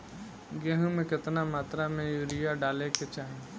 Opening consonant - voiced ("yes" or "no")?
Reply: yes